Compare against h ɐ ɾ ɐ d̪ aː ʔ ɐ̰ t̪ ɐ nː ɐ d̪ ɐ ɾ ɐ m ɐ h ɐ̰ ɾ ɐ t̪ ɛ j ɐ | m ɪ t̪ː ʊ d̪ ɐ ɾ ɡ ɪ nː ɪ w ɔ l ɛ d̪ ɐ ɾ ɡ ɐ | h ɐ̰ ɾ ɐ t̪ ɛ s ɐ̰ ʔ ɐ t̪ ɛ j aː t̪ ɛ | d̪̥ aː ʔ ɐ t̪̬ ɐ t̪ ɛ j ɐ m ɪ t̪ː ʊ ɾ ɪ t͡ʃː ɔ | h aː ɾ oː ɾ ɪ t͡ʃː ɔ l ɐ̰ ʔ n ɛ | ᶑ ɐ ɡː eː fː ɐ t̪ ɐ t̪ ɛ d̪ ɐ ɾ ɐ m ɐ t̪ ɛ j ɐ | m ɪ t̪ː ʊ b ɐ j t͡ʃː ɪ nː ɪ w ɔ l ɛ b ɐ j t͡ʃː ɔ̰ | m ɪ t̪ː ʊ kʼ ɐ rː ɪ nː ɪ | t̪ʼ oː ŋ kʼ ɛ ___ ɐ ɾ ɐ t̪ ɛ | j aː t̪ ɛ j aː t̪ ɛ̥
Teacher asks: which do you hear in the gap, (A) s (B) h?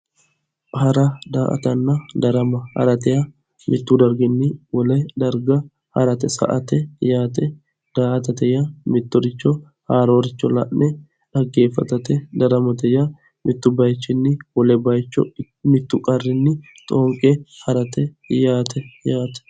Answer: B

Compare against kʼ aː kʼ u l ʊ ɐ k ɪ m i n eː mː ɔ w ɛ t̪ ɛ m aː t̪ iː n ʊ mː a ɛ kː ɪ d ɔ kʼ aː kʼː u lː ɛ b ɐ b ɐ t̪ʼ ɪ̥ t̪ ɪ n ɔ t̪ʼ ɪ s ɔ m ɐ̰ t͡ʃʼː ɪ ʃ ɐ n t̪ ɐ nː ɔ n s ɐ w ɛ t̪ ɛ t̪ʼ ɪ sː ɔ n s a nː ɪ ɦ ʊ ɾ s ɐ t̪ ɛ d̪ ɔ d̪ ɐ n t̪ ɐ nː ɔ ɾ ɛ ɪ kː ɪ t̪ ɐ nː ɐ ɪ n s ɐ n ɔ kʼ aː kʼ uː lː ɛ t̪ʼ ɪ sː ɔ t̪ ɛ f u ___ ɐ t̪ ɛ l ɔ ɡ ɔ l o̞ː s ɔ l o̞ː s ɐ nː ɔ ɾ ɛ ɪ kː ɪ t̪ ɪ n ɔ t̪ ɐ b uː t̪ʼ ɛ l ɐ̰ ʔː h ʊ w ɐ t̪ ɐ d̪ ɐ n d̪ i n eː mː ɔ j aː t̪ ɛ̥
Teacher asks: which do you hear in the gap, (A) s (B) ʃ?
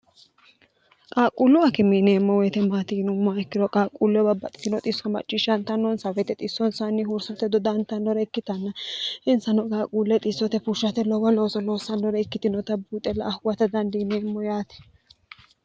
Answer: B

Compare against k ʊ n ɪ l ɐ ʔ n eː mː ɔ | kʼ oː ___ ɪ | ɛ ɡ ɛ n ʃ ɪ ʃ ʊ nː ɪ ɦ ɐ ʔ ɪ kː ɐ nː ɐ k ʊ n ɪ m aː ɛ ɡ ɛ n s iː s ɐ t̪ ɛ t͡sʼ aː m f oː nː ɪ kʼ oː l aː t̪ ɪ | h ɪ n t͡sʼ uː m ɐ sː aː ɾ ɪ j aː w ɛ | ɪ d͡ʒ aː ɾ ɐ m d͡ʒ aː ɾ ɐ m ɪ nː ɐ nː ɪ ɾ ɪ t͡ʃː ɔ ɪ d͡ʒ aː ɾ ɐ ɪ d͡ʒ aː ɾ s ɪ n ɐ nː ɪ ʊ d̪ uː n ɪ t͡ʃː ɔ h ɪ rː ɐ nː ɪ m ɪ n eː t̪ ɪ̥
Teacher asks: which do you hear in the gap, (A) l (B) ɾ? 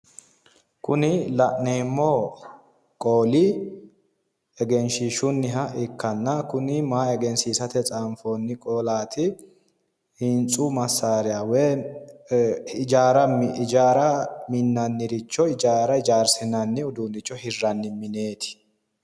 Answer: A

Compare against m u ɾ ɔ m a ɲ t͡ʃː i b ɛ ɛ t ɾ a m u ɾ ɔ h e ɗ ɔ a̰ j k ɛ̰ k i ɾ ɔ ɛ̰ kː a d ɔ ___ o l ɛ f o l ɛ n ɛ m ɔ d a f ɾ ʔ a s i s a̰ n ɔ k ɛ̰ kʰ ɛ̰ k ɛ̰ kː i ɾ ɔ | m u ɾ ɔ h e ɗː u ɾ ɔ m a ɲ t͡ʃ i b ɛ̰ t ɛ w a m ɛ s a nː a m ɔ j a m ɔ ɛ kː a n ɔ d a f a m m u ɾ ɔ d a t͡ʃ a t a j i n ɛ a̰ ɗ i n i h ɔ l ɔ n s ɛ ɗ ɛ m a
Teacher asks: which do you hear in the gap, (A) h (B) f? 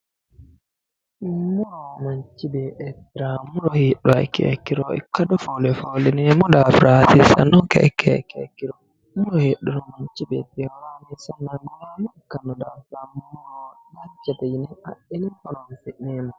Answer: B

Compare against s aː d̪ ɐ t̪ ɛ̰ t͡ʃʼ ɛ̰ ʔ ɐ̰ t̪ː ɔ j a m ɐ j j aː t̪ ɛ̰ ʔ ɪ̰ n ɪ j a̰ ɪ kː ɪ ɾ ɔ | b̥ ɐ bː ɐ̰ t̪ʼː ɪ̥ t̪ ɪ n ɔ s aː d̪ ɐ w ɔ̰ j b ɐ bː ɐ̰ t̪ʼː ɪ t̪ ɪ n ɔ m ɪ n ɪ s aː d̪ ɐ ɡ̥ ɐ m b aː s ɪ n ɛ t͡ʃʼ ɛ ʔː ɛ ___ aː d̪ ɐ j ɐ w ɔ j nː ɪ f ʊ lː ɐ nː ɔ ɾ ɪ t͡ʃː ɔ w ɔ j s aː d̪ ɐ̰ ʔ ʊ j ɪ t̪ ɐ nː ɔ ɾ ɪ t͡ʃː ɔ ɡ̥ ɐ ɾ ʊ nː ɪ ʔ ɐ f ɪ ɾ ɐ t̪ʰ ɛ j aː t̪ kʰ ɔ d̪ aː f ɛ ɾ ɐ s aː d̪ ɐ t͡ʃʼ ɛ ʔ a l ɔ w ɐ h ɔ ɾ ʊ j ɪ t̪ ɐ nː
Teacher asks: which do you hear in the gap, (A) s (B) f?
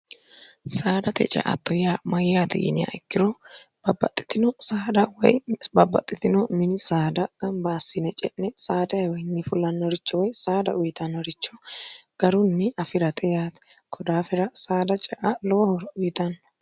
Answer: A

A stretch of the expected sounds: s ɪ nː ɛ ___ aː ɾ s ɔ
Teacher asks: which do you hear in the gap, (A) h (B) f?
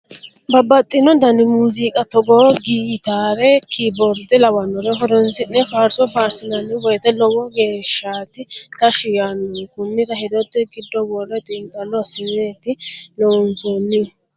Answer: B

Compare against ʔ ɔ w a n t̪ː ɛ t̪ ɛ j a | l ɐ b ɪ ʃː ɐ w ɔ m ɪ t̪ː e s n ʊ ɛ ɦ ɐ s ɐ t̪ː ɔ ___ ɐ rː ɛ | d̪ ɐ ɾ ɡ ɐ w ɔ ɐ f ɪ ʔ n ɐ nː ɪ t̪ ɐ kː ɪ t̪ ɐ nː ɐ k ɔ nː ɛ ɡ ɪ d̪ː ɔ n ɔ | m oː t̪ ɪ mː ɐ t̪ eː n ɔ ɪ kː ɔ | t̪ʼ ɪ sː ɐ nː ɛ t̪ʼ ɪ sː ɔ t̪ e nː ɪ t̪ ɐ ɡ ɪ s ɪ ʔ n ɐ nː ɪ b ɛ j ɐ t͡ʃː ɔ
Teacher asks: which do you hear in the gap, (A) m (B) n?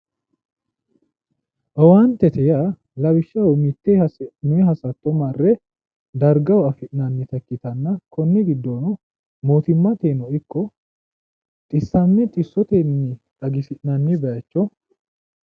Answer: A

